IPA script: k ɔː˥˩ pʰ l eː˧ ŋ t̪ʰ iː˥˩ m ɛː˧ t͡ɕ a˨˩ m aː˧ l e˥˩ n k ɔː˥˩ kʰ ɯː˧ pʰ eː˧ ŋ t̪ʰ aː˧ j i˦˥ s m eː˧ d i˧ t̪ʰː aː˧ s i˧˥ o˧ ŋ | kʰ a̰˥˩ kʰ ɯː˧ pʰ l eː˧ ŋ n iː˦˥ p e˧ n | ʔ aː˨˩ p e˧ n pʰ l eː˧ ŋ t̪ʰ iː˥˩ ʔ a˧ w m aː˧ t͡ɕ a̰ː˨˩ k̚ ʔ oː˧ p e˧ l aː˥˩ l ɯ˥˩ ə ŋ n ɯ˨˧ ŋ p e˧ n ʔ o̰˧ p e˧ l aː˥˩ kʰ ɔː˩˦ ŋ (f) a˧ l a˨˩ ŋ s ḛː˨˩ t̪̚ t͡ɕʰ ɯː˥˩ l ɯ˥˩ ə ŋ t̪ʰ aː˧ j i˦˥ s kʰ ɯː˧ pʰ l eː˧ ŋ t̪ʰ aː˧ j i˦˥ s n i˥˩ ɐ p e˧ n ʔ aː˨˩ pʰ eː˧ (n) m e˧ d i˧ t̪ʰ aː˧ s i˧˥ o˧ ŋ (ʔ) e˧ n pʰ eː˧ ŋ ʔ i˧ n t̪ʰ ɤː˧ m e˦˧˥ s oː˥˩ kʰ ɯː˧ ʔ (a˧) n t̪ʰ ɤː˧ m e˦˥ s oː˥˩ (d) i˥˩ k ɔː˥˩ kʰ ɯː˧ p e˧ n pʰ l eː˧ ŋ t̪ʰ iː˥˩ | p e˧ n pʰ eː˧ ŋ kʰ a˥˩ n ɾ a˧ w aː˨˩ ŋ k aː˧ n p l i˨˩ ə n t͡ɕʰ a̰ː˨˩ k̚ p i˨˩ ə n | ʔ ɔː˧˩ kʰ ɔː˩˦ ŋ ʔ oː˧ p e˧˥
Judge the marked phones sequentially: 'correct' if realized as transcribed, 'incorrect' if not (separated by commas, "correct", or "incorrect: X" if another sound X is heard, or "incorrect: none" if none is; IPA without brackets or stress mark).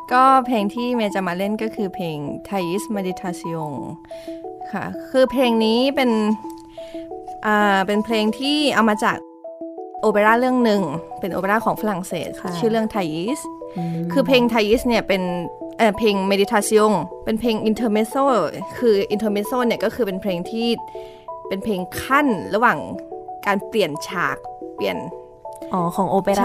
correct, incorrect: ŋ, incorrect: p, incorrect: i˧, incorrect: n